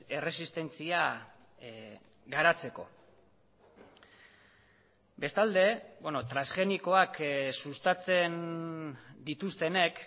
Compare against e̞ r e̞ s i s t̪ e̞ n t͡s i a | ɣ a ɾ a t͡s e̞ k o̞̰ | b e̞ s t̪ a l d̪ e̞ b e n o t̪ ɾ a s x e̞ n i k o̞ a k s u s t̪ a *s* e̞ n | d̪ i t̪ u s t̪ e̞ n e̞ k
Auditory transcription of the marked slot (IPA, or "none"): t͡s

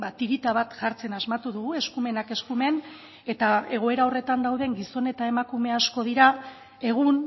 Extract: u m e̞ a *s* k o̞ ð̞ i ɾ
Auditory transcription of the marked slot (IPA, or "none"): s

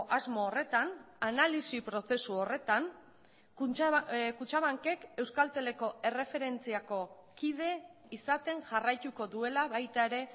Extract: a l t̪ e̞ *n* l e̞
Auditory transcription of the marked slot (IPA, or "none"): none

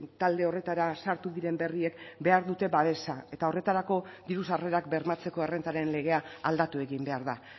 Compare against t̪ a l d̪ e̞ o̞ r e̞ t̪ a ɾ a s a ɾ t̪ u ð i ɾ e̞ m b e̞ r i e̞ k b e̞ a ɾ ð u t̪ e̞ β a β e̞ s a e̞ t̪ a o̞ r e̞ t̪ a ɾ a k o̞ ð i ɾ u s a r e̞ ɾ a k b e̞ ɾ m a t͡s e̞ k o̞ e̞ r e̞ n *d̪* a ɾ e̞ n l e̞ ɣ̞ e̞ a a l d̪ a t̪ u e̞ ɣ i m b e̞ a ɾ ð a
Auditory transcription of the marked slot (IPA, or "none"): t̪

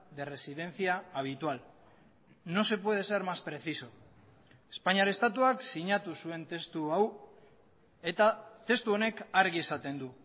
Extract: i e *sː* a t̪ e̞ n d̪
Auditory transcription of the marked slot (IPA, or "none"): s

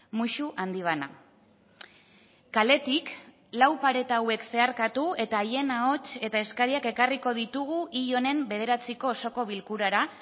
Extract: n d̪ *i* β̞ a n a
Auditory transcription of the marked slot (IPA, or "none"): i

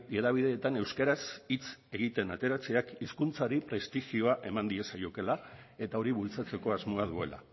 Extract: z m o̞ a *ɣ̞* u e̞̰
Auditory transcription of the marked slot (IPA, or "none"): ð̞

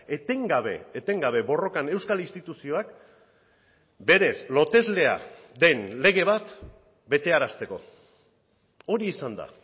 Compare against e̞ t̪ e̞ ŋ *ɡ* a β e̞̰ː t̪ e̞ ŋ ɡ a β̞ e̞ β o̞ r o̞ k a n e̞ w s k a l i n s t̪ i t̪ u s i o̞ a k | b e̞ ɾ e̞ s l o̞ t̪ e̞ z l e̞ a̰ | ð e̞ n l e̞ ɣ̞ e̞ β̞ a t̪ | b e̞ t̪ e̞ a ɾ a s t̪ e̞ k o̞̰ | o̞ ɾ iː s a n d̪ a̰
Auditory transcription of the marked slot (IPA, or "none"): ɡ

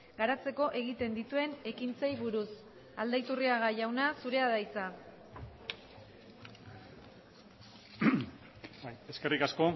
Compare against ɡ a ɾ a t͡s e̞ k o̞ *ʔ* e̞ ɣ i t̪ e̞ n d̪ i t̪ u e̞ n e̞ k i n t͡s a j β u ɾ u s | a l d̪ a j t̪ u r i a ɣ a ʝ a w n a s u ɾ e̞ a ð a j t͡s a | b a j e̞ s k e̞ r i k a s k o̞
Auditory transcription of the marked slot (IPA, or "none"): ʔ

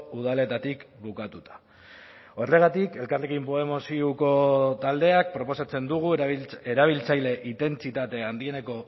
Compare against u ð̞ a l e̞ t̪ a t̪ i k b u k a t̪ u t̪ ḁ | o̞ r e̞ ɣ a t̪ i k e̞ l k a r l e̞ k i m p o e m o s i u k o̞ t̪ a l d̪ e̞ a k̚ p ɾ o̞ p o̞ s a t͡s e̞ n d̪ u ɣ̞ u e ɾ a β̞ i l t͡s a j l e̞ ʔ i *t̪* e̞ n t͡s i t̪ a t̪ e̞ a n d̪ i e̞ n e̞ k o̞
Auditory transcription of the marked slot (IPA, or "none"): t̪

